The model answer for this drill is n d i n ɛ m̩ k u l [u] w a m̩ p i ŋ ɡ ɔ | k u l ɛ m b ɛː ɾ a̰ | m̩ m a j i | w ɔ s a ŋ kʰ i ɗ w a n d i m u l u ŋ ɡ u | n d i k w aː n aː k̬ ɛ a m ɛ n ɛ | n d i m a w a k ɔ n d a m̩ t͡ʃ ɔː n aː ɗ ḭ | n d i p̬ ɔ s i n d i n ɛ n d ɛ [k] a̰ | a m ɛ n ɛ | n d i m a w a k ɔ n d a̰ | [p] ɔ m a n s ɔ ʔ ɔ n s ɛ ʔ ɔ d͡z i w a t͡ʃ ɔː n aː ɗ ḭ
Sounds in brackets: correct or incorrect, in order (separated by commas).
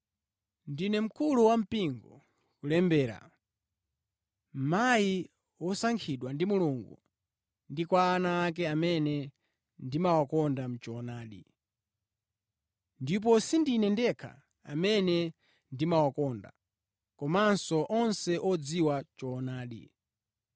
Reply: correct, incorrect, incorrect